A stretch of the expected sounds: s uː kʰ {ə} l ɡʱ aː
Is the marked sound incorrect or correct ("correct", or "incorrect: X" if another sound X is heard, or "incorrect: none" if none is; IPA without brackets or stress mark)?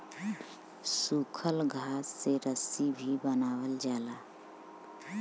correct